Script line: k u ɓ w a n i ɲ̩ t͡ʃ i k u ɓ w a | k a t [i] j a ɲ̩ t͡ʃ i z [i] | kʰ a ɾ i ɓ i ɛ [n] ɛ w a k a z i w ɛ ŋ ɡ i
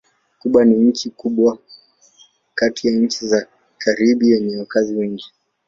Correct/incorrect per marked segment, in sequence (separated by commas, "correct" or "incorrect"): correct, incorrect, incorrect